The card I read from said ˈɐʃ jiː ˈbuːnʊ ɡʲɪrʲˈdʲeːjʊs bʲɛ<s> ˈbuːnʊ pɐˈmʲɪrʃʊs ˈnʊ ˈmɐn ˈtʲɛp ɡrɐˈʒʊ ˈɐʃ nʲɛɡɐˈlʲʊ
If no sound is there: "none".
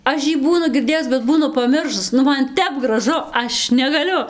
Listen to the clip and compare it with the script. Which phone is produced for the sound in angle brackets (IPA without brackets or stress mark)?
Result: t